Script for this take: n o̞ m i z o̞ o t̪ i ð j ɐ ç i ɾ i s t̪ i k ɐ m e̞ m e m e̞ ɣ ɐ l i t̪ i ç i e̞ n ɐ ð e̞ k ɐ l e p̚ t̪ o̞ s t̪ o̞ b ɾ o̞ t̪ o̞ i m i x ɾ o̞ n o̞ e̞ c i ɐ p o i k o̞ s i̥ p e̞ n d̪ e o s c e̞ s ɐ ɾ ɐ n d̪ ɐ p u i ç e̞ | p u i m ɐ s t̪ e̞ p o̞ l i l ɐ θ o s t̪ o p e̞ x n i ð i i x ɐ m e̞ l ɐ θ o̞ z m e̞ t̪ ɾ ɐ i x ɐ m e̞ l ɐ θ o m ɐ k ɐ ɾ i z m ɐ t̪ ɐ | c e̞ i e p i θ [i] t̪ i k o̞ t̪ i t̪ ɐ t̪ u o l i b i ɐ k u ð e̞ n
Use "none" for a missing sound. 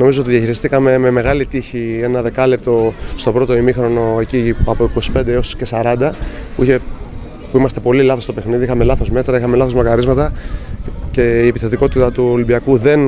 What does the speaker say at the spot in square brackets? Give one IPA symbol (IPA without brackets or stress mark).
e